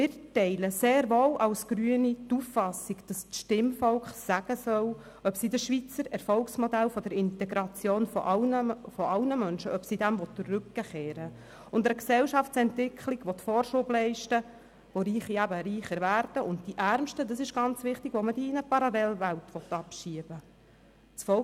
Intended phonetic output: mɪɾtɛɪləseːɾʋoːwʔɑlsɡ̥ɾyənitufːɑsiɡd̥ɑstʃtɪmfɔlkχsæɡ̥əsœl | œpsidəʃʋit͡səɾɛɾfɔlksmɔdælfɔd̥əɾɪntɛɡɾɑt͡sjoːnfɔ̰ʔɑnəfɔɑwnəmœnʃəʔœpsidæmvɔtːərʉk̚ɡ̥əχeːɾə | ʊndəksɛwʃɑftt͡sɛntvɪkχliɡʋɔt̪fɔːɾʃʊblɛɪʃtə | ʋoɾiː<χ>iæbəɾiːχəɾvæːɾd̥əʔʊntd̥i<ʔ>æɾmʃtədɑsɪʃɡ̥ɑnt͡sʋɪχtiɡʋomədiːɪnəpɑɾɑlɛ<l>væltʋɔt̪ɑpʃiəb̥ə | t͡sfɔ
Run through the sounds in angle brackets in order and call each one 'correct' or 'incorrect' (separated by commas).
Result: correct, correct, correct